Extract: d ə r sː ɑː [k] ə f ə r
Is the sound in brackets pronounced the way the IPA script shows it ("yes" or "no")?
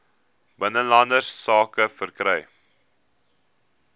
yes